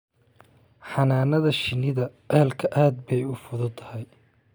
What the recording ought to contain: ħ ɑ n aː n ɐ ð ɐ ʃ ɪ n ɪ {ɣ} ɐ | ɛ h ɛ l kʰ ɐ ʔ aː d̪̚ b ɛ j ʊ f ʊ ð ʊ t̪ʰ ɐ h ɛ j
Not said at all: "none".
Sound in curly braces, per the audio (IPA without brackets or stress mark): ð